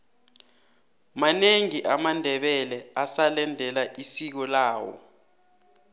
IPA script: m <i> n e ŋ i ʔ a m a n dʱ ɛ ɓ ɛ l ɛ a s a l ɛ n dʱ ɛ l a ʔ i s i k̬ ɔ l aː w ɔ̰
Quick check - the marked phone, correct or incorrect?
incorrect